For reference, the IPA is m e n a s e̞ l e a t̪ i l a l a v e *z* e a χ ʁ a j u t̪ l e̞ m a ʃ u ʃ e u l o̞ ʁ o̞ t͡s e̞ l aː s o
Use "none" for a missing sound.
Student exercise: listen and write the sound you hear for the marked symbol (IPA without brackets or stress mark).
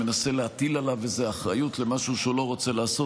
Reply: z